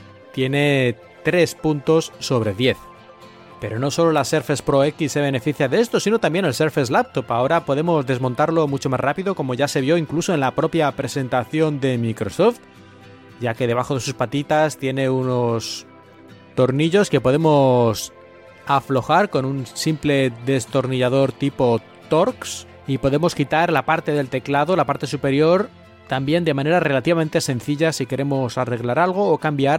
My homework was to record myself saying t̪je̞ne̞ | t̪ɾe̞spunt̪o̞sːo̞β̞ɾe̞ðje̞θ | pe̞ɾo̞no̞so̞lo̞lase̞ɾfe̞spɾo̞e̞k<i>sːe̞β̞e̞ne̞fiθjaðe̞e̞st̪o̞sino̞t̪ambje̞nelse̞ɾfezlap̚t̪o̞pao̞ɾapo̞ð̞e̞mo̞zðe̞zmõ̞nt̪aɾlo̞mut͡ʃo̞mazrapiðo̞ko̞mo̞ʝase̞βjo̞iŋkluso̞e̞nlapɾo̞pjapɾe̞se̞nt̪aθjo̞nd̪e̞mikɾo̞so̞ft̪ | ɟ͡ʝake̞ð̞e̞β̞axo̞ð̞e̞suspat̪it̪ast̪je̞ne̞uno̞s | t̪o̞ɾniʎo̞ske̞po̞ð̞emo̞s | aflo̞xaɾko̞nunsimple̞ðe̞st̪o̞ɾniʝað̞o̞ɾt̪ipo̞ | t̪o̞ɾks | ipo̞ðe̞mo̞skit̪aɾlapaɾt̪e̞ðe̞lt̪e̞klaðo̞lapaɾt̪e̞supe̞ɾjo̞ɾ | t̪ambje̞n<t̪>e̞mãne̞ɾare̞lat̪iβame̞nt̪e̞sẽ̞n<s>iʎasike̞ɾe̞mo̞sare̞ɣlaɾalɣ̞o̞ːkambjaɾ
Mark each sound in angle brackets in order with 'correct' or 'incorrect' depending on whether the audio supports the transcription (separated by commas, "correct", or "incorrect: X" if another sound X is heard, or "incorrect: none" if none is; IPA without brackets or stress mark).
correct, incorrect: d̪, incorrect: θ